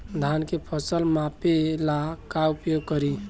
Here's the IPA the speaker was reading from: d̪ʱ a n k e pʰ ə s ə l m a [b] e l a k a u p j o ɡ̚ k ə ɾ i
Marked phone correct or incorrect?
incorrect